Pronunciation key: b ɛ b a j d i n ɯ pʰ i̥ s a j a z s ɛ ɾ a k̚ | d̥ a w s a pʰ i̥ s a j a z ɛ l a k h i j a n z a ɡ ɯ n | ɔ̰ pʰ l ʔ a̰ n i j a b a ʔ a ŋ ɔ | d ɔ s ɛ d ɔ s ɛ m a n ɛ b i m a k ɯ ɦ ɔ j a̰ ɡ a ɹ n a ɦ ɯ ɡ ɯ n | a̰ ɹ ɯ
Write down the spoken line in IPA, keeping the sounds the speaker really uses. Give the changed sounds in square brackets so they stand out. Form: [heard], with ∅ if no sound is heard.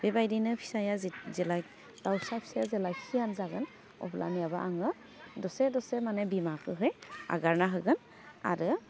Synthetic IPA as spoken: b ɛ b a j d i n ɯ pʰ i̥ s a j a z [z] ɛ [l] a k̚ | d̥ a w s a pʰ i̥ s a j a z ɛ l a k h i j a n z a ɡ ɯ n | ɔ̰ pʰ l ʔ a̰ n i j a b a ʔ a ŋ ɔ | d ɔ s ɛ d ɔ s ɛ m a n ɛ b i m a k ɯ ɦ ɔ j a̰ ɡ a ɹ n a ɦ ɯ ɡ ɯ n | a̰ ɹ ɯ